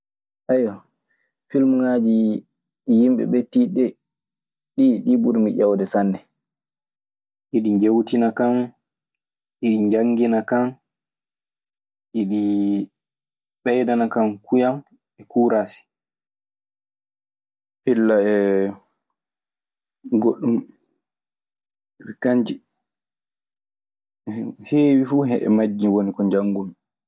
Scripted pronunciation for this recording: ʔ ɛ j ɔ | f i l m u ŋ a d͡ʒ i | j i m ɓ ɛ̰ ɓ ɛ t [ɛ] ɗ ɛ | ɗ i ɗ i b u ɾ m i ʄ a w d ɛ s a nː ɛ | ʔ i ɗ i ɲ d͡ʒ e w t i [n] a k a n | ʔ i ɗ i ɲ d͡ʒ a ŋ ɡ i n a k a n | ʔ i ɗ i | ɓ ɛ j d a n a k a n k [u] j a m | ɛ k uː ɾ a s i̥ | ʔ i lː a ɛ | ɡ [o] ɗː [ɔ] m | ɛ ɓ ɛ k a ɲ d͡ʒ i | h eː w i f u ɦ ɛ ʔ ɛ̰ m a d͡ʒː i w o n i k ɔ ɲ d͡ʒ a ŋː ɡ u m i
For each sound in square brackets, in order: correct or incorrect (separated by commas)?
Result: incorrect, correct, correct, correct, incorrect